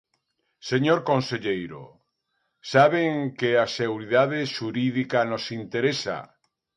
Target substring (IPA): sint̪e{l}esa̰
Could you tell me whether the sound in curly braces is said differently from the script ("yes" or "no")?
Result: yes